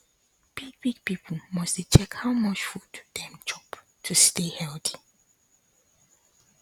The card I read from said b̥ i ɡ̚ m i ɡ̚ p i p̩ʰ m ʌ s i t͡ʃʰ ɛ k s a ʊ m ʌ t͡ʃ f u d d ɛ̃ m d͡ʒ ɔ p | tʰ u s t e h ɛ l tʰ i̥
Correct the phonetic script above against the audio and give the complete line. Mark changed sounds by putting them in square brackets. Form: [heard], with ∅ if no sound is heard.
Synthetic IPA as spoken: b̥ i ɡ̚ [b] i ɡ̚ p i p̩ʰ m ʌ s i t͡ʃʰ ɛ k [h] a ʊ m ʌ t͡ʃ f u d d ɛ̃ m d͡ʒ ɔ p | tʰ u s t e h ɛ l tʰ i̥